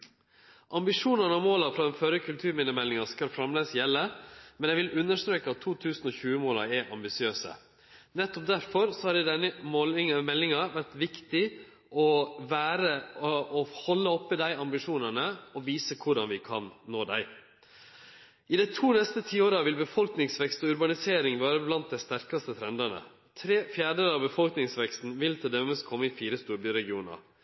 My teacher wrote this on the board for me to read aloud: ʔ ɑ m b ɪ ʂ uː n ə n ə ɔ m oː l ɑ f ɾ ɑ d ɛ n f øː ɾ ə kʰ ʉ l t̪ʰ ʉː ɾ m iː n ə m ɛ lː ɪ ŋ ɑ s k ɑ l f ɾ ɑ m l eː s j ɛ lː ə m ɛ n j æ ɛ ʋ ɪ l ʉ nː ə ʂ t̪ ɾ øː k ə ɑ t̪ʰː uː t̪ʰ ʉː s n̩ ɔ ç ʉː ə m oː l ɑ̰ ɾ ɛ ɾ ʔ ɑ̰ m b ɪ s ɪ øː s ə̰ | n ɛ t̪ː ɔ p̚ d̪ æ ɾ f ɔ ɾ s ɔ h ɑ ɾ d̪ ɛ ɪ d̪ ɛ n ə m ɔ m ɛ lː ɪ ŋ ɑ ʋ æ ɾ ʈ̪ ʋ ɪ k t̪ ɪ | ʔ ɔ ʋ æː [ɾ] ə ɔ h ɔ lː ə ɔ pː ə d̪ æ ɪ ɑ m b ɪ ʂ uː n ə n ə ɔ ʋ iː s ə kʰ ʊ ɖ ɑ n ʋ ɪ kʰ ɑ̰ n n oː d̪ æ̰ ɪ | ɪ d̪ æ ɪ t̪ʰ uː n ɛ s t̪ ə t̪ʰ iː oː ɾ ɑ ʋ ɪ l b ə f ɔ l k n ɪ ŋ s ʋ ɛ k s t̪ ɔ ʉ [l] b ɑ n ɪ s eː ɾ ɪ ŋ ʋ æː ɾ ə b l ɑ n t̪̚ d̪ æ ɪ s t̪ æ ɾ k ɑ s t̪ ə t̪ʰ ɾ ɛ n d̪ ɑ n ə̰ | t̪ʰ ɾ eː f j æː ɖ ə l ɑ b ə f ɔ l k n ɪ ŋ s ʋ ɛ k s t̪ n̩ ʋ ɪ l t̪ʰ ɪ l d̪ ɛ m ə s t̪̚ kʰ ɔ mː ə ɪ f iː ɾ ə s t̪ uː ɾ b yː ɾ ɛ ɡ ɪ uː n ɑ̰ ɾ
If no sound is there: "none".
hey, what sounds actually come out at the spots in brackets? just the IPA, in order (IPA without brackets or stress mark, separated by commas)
ɾ, ɾ